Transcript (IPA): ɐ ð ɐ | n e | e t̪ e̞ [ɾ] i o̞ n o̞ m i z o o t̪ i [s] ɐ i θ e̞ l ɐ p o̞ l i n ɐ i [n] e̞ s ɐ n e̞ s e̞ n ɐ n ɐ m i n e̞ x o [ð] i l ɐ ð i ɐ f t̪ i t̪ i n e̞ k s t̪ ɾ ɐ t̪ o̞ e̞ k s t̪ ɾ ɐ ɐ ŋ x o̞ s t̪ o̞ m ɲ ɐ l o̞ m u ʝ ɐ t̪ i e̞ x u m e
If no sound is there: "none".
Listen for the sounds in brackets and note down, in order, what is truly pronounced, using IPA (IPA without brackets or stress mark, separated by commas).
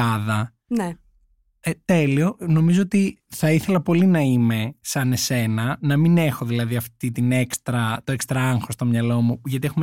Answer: l, θ, m, ð